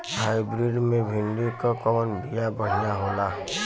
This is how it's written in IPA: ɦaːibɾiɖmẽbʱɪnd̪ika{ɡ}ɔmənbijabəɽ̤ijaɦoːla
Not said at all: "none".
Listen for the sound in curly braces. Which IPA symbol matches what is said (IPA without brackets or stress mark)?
k